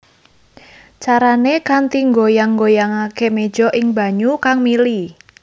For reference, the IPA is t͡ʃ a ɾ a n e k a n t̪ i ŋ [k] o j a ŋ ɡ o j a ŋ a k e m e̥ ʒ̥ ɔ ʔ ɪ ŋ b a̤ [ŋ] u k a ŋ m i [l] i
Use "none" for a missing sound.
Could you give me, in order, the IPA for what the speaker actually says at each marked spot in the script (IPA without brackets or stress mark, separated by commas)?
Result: ɡ, ɲ, l